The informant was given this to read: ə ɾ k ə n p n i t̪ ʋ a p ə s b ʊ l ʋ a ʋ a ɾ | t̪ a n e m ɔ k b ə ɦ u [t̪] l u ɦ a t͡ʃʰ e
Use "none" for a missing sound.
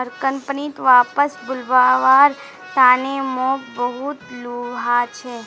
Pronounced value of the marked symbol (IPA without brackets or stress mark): t̪